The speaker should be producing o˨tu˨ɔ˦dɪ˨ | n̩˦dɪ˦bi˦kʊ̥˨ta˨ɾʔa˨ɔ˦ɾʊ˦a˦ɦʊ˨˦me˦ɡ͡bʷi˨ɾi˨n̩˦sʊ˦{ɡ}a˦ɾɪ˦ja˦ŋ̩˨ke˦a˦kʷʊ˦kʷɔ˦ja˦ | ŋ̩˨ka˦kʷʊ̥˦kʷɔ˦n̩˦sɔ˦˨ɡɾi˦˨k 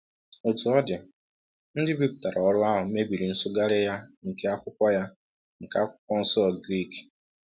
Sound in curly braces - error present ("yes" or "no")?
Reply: no